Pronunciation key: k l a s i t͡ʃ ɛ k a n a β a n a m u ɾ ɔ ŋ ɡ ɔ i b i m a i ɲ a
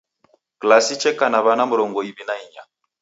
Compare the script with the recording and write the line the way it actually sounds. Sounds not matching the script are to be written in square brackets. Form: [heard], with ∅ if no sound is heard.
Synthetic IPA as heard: k l a s i t͡ʃ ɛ k a n a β a n a m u ɾ ɔ ŋ ɡ ɔ i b i [n] a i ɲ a